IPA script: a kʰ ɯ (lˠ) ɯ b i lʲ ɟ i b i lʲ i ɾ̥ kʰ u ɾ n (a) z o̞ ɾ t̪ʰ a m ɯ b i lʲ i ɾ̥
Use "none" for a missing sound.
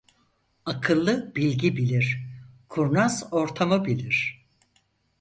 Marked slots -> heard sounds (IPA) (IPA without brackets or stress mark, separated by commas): lˠː, a